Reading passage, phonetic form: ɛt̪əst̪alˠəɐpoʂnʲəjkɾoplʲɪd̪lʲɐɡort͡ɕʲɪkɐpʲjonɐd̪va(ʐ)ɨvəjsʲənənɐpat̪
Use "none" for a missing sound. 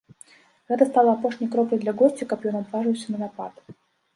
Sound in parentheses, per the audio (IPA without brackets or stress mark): ʐ